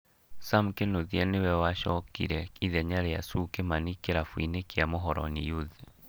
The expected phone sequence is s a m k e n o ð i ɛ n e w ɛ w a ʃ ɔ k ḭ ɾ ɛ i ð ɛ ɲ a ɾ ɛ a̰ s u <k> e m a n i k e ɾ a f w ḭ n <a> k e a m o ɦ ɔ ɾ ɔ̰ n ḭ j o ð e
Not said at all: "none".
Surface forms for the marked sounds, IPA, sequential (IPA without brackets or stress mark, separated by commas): k, e